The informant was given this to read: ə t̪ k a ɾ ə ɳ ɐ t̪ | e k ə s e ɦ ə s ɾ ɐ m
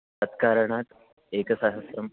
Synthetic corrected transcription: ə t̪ k a ɾ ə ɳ a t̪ | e k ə s a ɦ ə s ɾ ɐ m